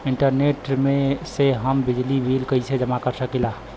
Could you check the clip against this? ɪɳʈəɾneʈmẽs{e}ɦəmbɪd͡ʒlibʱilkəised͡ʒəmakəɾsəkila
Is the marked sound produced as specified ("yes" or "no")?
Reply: yes